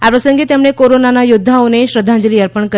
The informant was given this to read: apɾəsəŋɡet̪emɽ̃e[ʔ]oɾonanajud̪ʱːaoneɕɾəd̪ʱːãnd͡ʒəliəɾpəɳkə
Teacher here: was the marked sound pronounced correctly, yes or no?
no